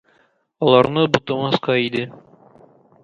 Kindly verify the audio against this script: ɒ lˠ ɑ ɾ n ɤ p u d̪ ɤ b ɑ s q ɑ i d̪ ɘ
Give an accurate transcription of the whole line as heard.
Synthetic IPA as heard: ɒ lˠ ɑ ɾ n ɤ b u t̪ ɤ m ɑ s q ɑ i d̪ ɘ